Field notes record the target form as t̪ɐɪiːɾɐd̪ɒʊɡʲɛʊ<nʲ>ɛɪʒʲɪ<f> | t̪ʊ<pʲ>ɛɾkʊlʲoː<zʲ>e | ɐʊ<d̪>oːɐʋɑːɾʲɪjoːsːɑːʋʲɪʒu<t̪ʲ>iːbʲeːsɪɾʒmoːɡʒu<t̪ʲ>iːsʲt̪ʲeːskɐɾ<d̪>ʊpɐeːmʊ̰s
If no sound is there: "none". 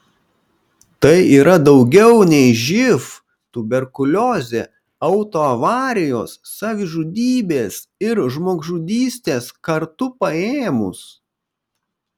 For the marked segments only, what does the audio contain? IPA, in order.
nʲ, f, bʲ, zʲ, t̪, d̪ʲ, d̪ʲ, t̪

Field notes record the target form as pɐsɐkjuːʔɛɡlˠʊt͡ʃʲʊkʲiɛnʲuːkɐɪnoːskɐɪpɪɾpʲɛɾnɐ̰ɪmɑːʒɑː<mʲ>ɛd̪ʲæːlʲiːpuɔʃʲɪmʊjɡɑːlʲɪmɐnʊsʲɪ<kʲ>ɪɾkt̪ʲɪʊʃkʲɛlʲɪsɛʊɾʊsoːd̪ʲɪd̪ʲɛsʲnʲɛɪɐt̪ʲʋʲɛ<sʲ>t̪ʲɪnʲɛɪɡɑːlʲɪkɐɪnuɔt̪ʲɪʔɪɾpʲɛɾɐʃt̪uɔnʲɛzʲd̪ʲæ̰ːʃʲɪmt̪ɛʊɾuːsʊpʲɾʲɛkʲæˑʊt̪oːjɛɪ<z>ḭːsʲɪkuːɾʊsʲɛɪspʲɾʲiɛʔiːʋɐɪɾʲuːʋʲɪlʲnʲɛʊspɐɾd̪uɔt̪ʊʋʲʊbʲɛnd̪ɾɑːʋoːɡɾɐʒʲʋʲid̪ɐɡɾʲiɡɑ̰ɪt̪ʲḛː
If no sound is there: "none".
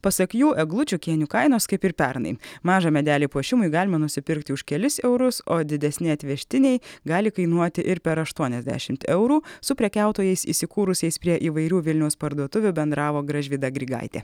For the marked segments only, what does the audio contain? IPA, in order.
mʲ, pʲ, ʃʲ, s

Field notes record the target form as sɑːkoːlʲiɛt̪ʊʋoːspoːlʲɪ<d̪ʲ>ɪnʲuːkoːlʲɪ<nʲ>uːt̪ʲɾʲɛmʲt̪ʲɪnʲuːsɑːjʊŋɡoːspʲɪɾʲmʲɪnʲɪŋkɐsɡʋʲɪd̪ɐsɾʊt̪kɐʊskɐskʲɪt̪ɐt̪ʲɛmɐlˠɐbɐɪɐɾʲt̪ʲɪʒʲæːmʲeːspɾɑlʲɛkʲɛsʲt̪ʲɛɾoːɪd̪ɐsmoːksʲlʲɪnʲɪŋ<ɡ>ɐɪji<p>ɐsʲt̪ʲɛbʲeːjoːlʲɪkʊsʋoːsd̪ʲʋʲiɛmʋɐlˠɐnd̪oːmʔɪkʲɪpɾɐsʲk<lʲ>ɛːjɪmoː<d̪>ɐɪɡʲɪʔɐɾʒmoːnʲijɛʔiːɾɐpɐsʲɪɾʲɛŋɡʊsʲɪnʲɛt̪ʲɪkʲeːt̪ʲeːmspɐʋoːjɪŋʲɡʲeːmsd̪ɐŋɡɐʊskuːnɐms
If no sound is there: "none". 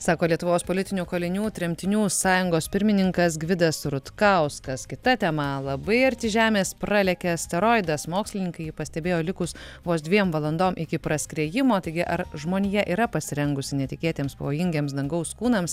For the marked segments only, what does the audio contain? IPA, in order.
t̪ʲ, nʲ, k, p, ɾʲ, t̪

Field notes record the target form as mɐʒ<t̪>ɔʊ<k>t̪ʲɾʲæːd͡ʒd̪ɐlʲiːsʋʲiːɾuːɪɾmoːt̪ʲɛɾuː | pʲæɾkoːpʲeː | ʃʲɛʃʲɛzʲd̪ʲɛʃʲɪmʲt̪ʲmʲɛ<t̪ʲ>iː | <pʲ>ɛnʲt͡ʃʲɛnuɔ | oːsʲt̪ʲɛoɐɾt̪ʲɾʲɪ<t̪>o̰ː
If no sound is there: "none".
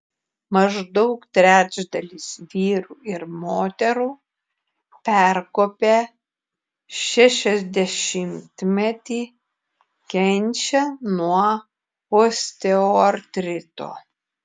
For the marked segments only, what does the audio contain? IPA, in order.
d̪, k, t̪ʲ, kʲ, t̪

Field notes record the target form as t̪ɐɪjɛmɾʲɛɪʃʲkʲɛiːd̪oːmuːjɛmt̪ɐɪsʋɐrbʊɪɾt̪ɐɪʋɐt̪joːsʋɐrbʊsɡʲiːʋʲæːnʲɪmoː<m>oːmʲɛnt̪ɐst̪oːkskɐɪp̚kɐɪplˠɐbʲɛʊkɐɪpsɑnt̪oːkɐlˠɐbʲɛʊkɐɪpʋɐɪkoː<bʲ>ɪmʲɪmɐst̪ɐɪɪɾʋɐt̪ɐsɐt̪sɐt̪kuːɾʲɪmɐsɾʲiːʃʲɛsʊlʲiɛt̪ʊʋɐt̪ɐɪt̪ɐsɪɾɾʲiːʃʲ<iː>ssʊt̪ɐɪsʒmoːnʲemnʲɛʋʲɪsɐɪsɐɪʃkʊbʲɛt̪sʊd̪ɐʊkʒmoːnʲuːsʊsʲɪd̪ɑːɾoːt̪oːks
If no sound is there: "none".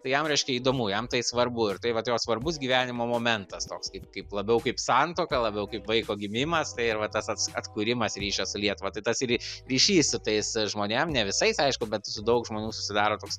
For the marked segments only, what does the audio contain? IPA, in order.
m, ɡʲ, iː

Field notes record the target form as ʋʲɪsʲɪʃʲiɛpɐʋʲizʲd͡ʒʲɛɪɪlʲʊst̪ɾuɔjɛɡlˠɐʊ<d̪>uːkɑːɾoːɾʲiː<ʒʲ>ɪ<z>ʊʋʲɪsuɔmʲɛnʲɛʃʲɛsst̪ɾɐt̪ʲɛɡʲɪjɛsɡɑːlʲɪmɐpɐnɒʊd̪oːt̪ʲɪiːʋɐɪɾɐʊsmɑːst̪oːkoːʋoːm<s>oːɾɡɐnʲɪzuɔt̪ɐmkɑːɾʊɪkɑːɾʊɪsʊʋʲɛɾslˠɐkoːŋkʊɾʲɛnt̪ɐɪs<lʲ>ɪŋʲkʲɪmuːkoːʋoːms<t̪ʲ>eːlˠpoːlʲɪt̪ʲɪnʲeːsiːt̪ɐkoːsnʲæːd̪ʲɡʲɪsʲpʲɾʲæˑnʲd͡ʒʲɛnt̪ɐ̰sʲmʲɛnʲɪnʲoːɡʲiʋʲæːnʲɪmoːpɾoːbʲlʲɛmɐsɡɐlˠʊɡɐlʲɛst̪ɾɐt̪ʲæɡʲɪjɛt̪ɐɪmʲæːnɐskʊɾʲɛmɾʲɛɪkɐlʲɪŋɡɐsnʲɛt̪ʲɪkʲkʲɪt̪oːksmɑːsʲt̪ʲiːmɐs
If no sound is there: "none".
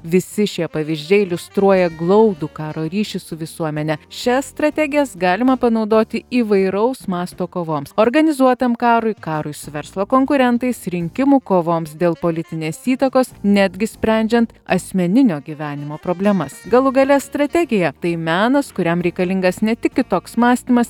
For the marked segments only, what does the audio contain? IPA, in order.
d̪, ʃʲ, s, s, ɾʲ, d̪ʲ

